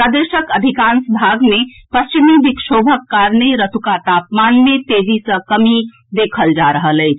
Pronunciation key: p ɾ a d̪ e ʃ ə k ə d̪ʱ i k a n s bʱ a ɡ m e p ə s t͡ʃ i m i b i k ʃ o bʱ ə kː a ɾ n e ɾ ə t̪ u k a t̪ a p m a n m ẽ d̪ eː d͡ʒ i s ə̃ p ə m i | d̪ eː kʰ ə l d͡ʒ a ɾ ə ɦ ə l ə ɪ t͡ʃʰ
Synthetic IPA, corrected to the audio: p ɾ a d̪ e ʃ ə k ə d̪ʱ i k a n s bʱ a ɡ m e p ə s t͡ʃ i m i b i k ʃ o bʱ ə kː a ɾ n e ɾ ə t̪ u k a t̪ a p m a n m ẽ t̪ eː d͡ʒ i s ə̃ k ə m i | d̪ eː kʰ ə l d͡ʒ a ɾ ə ɦ ə l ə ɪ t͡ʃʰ